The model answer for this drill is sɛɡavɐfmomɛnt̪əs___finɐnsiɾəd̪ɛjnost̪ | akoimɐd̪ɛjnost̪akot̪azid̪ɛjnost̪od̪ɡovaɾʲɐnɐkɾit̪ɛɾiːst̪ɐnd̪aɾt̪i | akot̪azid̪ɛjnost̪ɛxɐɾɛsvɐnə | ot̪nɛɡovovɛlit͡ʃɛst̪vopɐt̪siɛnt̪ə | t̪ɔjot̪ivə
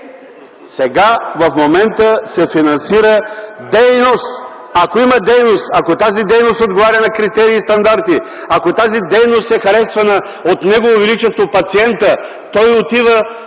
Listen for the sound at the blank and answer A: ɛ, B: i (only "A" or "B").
A